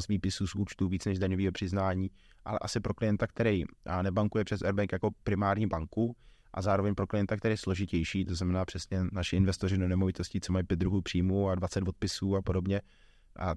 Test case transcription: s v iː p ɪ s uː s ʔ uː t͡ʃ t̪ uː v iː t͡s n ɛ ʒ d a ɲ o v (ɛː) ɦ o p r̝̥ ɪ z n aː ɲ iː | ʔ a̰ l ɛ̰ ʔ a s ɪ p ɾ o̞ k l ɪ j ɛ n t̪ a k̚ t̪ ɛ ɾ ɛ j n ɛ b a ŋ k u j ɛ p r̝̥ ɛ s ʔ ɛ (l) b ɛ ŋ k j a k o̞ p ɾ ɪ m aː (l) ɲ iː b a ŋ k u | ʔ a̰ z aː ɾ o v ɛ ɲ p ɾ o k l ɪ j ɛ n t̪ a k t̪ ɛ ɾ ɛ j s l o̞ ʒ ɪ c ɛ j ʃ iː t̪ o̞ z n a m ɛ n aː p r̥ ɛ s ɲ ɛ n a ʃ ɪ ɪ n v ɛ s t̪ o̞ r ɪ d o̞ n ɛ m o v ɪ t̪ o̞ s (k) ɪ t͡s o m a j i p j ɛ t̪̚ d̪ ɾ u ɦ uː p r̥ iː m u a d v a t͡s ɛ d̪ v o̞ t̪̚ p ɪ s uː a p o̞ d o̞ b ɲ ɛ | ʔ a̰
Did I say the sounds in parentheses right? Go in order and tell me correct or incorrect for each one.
incorrect: iː, incorrect: ɾ, incorrect: ɾ, incorrect: c

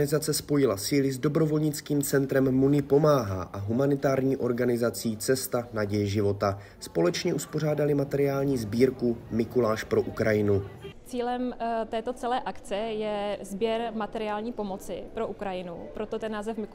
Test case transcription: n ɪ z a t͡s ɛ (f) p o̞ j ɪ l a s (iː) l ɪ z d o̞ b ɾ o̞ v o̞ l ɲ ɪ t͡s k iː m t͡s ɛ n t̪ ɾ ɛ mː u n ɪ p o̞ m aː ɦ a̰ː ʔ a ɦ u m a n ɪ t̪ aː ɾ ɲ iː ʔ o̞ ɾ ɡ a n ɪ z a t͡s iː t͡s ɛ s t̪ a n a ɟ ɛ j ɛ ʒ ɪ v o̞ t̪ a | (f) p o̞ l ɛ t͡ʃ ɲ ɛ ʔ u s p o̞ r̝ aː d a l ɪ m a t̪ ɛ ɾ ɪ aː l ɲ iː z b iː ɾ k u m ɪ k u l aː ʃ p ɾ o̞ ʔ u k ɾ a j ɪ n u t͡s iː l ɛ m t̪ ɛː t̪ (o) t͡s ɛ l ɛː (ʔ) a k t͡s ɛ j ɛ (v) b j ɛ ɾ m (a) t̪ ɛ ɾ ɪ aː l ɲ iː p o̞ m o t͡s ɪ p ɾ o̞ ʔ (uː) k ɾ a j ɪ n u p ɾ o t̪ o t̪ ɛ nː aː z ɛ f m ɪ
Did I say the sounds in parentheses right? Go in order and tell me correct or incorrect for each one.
incorrect: s, correct, incorrect: s, correct, correct, incorrect: z, correct, incorrect: u

